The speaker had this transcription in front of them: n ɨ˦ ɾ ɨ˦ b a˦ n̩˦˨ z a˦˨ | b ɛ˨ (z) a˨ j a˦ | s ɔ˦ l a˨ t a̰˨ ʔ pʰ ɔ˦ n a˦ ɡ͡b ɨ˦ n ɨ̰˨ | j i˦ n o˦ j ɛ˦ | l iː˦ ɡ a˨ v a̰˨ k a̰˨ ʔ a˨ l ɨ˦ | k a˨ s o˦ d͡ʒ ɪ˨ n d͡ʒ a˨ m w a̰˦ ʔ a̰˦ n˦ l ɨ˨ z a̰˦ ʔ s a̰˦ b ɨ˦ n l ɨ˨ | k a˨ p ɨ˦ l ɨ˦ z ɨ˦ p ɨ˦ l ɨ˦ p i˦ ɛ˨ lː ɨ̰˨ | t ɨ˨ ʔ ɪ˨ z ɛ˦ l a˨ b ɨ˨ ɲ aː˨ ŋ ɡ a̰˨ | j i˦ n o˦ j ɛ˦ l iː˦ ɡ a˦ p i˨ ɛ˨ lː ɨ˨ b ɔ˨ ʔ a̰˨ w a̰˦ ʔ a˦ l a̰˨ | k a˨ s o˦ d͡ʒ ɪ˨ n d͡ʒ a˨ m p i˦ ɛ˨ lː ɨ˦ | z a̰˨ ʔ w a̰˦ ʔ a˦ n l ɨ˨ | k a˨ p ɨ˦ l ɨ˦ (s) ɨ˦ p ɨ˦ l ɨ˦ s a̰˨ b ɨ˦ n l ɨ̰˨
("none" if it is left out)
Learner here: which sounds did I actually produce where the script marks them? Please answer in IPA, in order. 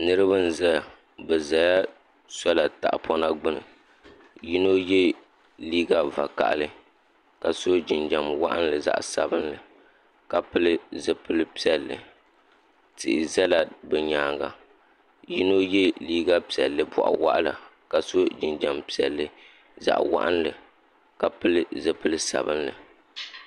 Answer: z, z

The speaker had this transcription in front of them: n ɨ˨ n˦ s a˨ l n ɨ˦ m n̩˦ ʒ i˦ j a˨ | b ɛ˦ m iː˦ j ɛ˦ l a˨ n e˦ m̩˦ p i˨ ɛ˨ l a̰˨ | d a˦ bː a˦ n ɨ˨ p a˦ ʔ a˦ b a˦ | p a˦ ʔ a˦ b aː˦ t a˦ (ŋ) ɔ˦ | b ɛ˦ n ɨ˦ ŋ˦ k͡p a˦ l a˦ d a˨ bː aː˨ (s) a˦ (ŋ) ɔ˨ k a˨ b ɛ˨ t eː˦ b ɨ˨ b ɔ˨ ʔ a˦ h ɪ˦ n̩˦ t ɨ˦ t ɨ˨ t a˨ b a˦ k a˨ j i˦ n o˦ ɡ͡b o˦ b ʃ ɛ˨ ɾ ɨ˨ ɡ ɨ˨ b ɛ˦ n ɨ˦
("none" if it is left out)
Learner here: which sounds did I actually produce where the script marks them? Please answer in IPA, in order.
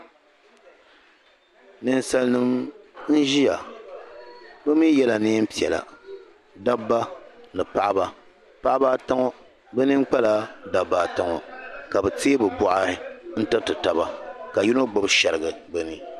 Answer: ŋ, t, ŋ

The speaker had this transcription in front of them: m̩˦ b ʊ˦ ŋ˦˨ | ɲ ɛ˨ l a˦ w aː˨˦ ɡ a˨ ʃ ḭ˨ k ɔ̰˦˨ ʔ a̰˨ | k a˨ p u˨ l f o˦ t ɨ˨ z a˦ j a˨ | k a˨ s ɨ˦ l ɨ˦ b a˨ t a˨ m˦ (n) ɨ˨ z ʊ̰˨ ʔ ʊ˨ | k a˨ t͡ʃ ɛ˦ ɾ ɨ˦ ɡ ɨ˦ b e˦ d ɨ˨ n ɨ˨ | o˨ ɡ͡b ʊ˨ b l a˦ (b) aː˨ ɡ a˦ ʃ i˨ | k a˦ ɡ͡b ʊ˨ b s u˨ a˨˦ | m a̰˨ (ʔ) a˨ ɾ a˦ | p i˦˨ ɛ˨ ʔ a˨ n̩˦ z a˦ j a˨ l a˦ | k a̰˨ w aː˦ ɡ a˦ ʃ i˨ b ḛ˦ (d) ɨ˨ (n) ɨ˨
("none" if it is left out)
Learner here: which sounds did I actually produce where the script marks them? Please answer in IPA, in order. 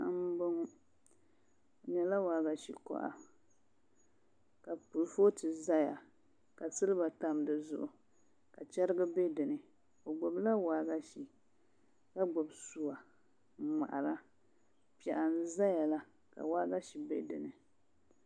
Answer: d, w, ʔ, d, n

